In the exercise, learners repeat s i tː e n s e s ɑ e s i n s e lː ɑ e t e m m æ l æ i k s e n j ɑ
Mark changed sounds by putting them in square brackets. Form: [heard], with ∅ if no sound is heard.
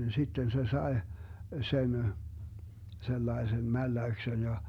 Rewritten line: s i tː e n s e s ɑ e s [e] n s e lː ɑ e [s] e m m æ [lː] æ [y] k s e n j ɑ